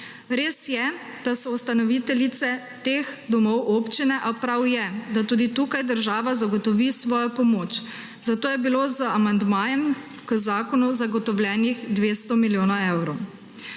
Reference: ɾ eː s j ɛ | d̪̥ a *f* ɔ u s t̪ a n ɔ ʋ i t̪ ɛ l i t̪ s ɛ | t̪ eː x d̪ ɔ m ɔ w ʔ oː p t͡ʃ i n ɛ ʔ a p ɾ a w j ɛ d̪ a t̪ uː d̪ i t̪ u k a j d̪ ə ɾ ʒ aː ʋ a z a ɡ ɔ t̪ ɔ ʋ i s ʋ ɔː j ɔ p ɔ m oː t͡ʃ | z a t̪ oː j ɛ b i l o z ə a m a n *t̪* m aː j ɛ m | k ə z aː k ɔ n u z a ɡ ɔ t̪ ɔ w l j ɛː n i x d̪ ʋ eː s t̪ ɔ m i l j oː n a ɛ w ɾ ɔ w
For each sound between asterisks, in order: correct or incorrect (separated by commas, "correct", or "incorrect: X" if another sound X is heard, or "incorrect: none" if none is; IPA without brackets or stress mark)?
incorrect: s, incorrect: d̪